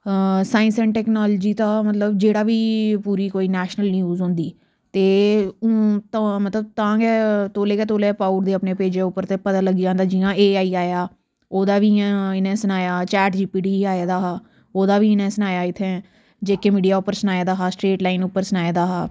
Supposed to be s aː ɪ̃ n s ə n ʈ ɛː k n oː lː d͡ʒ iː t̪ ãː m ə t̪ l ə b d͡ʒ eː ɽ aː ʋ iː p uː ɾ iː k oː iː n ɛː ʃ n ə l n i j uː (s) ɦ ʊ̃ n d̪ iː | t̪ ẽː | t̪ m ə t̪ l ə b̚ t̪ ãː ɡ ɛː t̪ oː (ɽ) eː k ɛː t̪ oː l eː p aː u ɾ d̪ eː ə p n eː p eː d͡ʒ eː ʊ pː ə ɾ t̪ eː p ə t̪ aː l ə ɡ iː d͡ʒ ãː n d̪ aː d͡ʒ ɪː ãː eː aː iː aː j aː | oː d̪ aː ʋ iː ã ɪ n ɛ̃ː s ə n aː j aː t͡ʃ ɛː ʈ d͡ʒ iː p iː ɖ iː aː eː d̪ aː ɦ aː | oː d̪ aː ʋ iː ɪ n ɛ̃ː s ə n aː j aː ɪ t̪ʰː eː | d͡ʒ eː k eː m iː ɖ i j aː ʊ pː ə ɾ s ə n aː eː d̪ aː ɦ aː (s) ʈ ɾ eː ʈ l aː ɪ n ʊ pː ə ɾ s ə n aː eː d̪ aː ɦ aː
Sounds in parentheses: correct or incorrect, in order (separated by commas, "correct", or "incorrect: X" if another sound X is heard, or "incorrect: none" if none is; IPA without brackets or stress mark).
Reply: incorrect: z, incorrect: l, correct